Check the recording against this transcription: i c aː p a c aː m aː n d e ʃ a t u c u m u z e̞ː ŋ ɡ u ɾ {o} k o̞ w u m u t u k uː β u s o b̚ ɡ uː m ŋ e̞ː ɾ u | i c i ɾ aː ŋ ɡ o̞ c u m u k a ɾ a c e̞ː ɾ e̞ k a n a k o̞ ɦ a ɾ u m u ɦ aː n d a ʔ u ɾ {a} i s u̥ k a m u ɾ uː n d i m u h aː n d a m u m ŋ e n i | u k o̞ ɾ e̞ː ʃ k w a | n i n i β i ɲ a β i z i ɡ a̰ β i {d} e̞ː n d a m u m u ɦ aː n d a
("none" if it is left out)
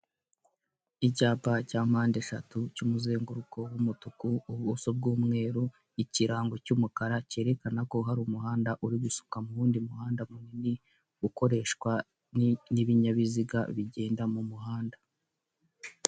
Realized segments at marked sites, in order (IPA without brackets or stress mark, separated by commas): u, i, ɟ